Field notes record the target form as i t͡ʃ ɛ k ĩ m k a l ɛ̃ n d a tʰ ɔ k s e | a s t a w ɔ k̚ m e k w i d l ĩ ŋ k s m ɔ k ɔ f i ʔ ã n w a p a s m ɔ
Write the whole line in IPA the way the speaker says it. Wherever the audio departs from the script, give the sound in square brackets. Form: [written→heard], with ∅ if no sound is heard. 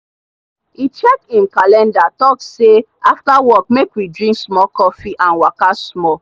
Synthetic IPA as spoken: i t͡ʃ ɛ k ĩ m k a l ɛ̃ n d a [tʰ→t] ɔ k s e | a [s→f] t a w ɔ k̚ m e k w i d [l→ɹ] ĩ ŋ k s m ɔ k ɔ f i ʔ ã n w a [p→k] a s m ɔ